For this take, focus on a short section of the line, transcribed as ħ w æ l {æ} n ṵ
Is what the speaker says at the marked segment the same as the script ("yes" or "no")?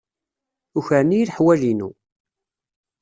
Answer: no